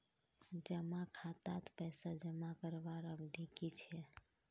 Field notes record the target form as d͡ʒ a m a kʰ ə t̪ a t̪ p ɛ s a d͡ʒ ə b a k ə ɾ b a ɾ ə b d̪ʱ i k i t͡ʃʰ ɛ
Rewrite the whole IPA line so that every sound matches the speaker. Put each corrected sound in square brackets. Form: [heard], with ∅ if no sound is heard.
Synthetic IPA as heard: d͡ʒ [ə] m a kʰ [a] t̪ a t̪ p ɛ s a d͡ʒ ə [m] a k ə ɾ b a ɾ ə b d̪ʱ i k i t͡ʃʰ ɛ